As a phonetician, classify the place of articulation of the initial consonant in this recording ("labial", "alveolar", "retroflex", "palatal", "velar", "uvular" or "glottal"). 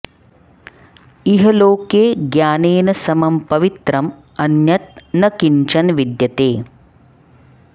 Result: glottal